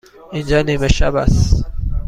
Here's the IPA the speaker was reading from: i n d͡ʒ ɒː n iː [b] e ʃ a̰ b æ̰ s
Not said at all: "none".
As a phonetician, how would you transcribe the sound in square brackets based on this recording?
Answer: m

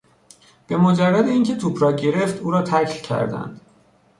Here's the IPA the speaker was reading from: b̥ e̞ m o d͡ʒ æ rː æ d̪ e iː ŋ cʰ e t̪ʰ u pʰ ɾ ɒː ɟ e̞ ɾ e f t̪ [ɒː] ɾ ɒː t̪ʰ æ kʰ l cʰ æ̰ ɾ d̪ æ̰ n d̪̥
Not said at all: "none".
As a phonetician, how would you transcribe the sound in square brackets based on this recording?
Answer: uː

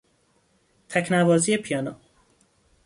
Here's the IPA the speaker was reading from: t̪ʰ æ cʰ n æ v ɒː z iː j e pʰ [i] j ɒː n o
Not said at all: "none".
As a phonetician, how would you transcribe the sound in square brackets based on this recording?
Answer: i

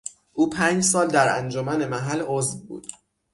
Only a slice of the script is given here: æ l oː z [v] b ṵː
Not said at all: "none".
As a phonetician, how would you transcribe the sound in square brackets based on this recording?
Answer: v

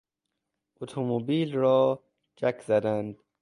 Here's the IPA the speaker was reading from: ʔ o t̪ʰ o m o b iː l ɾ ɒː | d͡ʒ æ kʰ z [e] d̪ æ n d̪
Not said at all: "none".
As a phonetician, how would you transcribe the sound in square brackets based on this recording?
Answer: æ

